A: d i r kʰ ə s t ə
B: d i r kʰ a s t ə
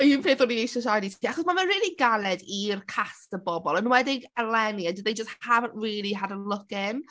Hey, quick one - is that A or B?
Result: B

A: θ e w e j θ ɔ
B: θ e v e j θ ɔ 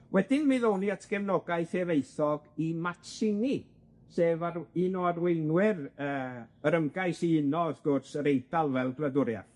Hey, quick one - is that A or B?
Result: B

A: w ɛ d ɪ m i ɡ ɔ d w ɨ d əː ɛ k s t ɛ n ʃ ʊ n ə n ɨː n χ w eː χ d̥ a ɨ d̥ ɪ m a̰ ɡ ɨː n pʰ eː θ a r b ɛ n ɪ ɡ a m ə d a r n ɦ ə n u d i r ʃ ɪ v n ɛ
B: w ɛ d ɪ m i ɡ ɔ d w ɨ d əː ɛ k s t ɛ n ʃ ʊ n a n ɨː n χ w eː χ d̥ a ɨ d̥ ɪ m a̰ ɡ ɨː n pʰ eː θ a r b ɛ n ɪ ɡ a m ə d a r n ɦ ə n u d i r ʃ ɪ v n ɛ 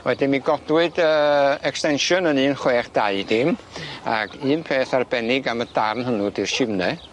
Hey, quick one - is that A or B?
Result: A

